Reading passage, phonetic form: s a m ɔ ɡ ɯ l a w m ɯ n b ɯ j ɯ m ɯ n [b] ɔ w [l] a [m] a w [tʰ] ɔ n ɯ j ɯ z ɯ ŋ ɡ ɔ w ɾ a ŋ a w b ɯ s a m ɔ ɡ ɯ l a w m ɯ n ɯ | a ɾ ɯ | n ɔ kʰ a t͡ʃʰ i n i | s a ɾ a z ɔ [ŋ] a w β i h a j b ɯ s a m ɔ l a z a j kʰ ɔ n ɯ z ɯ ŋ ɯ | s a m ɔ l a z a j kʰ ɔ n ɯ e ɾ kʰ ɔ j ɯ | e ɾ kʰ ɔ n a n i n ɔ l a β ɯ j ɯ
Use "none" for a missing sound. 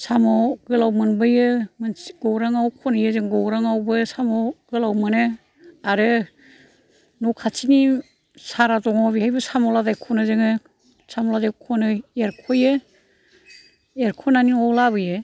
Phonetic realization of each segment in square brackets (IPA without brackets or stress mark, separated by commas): ɡ, ɾ, ŋ, kʰ, ŋ